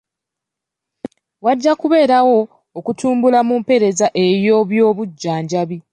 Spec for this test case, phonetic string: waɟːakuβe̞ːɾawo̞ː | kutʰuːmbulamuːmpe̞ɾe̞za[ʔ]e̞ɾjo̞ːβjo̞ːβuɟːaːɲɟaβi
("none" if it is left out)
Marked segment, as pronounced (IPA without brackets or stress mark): ʔ